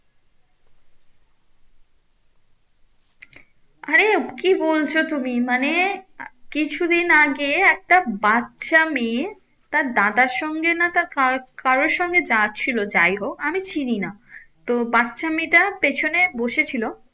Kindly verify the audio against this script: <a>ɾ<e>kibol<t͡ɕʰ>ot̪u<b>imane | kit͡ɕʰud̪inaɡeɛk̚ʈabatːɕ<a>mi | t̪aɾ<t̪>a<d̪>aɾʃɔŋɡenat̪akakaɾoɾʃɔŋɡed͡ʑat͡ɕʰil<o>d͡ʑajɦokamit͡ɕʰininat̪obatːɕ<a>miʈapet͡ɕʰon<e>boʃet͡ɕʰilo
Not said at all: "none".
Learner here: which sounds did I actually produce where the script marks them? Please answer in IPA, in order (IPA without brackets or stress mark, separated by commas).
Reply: a, e, t͡ɕʰ, m, a, d̪, d̪, o, a, e